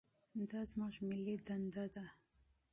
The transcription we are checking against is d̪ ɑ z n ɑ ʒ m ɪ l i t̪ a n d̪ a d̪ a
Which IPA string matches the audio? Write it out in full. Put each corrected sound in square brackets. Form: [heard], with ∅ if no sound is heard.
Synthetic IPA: d̪ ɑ z [m] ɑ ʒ m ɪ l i [d̪] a n d̪ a d̪ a